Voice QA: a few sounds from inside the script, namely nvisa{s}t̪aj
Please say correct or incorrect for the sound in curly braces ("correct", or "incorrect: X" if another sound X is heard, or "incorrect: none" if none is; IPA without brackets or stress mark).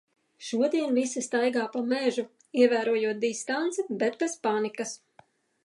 correct